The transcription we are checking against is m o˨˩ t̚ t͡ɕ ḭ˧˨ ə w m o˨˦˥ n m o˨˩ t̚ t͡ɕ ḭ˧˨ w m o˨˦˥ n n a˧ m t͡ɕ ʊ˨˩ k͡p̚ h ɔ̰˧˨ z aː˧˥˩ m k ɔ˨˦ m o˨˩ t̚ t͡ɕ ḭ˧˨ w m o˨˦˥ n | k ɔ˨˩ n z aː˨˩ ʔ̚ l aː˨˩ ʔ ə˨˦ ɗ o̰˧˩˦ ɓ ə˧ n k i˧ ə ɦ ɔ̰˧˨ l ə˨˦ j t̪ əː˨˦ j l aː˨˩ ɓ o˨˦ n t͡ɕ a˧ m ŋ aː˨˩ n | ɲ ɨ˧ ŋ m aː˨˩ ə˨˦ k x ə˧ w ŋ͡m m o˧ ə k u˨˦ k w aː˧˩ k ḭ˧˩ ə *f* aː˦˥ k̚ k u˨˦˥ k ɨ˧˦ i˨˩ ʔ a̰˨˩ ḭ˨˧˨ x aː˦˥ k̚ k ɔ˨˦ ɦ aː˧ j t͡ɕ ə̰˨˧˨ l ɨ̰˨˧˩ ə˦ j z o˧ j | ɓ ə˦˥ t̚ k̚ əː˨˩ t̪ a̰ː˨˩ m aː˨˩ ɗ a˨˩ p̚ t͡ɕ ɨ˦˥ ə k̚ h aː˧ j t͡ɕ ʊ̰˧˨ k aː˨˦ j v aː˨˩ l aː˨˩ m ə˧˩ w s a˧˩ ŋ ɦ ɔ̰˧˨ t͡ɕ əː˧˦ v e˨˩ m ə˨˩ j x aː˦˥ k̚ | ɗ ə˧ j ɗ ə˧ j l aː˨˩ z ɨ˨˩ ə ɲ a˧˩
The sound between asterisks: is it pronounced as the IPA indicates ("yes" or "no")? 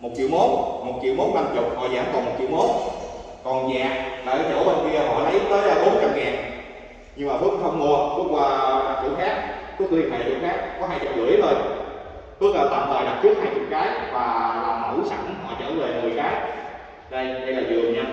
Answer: no